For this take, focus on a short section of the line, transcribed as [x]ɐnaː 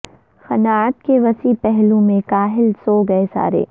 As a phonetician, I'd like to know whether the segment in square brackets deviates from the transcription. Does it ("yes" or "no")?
no